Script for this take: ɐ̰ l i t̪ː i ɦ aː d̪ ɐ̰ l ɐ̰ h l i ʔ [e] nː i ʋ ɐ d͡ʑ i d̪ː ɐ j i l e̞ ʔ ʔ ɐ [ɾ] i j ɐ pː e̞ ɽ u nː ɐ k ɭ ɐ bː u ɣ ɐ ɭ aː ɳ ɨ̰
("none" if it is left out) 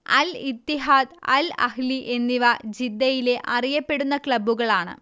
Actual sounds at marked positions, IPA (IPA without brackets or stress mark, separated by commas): e, r